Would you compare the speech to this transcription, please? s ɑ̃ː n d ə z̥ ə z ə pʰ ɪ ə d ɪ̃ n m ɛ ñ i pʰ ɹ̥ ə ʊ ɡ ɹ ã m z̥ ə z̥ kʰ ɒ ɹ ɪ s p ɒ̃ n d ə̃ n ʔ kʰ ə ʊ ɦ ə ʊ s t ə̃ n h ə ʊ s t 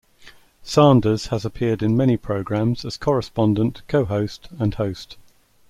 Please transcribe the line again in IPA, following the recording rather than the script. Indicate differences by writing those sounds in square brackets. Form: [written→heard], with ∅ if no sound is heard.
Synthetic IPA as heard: s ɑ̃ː n d ə z̥ ə z ə pʰ ɪ ə d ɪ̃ n m ɛ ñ i pʰ ɹ̥ ə ʊ ɡ ɹ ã m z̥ ə z̥ kʰ ɒ ɹ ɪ s p ɒ̃ n d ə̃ n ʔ kʰ ə ʊ ɦ ə ʊ s t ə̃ n h ə ʊ s t